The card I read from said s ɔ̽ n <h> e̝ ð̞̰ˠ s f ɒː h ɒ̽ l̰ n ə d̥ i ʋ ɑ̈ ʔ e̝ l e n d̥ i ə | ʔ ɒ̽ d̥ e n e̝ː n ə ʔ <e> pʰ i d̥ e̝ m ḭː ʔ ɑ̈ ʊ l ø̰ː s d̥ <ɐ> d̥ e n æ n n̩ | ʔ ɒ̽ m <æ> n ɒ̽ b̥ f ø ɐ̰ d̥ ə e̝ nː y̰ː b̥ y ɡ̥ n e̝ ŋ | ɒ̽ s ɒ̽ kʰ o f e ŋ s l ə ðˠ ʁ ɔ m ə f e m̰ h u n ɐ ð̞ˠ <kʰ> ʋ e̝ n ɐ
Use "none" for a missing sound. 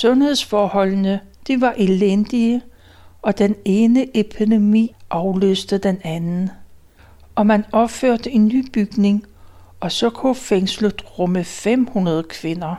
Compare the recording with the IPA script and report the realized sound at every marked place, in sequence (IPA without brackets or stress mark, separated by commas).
h, e, ə, æ, kʰ